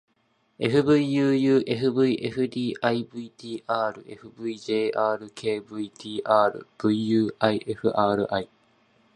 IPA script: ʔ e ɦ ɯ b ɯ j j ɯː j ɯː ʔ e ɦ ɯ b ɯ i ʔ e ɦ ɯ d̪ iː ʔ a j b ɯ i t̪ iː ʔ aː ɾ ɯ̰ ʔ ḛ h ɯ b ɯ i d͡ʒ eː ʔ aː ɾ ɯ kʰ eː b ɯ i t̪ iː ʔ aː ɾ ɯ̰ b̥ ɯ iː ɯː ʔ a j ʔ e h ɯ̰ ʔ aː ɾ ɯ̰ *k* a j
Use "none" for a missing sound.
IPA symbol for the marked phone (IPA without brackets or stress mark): ʔ